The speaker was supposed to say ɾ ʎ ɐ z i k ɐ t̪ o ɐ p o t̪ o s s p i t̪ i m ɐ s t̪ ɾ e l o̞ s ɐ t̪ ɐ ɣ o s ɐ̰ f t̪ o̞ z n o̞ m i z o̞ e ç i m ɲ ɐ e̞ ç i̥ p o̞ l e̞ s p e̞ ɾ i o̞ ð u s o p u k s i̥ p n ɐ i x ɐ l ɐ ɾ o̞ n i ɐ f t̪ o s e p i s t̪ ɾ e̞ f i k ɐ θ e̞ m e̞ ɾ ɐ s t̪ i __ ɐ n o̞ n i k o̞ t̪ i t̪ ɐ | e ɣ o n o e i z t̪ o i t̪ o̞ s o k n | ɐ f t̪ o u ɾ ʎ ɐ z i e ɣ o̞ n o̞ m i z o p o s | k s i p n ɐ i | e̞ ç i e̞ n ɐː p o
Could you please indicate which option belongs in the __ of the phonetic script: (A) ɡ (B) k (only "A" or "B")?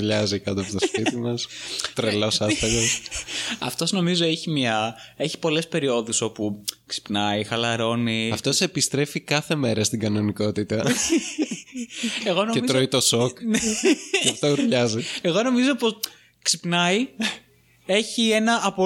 A